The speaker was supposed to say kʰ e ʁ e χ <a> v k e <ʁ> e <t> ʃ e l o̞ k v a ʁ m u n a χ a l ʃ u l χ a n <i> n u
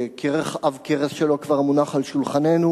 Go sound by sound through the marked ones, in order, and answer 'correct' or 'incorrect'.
correct, correct, incorrect: s, incorrect: e

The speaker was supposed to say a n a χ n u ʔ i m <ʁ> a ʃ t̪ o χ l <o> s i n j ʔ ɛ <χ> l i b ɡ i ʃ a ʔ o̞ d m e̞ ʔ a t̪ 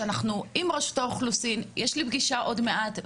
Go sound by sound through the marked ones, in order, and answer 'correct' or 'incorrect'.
correct, incorrect: u, incorrect: ʃ

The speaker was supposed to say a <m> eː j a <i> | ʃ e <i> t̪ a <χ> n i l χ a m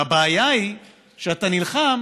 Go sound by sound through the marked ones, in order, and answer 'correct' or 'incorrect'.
incorrect: b, correct, incorrect: a, incorrect: none

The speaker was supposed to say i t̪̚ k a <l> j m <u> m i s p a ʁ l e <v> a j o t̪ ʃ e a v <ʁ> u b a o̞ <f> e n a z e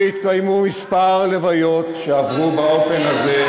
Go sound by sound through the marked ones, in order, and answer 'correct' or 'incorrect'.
incorrect: none, correct, correct, correct, correct

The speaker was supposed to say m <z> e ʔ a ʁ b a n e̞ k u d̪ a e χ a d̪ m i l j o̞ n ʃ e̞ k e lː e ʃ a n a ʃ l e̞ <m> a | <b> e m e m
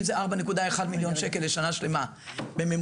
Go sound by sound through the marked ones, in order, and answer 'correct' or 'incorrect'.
correct, correct, correct

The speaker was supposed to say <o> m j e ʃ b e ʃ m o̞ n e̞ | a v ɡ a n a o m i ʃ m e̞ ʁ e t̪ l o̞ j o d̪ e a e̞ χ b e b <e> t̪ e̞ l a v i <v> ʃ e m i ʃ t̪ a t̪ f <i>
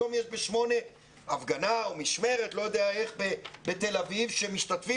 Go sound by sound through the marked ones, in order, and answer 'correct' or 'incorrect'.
correct, correct, correct, correct

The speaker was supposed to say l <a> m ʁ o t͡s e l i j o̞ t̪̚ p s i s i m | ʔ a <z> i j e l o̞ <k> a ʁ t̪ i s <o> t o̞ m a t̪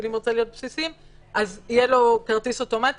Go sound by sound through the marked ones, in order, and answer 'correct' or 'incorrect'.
incorrect: i, correct, correct, correct

